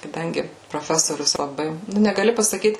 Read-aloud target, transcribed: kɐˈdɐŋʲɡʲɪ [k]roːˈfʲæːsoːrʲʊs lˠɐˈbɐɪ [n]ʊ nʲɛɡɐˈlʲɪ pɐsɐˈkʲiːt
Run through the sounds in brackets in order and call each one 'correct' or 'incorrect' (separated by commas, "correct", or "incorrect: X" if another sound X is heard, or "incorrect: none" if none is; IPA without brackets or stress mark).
incorrect: p, correct